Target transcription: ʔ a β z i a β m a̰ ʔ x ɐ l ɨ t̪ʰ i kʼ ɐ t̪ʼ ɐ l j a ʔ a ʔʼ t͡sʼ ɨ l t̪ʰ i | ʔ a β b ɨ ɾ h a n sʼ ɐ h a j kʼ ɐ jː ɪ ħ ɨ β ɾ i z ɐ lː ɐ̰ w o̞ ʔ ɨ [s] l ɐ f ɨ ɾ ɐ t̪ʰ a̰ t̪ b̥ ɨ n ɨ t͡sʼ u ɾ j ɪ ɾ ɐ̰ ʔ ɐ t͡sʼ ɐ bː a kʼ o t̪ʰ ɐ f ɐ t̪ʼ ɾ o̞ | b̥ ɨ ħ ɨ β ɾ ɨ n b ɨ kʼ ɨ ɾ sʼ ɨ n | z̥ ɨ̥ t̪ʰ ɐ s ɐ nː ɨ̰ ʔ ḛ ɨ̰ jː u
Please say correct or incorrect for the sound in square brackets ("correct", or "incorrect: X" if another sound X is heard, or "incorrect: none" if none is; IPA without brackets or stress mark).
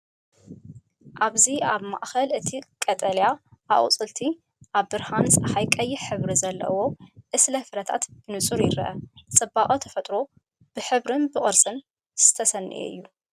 correct